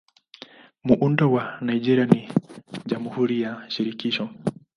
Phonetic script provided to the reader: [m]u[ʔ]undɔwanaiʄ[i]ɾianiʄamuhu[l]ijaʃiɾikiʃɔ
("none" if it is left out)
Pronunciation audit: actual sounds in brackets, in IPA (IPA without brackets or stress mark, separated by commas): m, ʔ, ɛ, ɾ